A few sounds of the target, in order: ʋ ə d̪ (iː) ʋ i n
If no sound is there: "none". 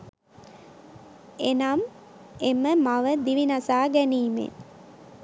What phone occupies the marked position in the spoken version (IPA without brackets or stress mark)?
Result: i